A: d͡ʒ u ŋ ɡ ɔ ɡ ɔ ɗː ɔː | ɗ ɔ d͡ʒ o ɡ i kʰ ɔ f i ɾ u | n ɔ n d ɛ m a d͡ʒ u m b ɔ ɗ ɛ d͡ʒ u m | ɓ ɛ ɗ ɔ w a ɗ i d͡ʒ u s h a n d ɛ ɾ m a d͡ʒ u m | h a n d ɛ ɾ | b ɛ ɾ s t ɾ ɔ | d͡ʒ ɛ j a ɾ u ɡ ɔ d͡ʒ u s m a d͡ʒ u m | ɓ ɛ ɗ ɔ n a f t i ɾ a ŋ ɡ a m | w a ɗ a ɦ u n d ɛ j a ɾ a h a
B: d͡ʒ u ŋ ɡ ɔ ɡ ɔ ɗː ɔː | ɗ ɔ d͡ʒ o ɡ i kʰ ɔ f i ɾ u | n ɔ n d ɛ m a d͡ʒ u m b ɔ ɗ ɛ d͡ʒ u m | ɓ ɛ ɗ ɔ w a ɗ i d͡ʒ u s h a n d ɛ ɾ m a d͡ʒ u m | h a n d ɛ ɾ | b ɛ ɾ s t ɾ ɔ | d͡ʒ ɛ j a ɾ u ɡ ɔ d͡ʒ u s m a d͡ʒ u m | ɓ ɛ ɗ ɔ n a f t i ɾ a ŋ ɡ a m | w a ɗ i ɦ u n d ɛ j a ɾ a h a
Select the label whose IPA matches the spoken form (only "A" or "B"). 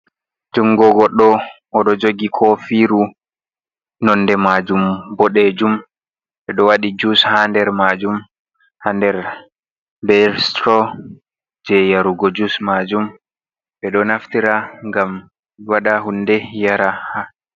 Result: A